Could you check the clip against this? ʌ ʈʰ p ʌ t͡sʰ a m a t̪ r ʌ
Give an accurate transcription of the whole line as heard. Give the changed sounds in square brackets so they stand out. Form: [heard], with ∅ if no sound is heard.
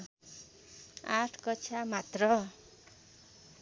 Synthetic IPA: [a] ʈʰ [k] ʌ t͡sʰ a m a t̪ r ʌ